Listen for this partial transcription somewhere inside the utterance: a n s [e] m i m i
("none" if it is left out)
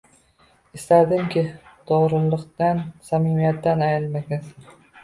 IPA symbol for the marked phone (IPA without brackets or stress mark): a